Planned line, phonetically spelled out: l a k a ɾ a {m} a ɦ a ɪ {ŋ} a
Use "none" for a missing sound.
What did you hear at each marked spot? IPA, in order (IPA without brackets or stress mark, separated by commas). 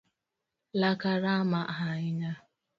m, ɲ